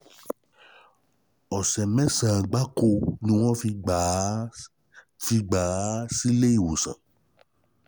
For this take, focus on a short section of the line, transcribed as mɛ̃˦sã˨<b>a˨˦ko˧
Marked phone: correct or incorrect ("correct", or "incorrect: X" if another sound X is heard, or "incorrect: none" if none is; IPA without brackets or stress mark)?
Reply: incorrect: ɡ͡b